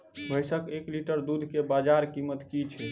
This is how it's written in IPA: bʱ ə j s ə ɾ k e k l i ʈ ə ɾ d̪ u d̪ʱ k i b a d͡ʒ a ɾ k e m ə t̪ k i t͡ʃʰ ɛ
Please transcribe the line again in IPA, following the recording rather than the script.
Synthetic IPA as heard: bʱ ə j s ə k e k l i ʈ ə ɾ d̪ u d̪ʱ k e b a d͡ʒ a ɾ k i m ə t̪ k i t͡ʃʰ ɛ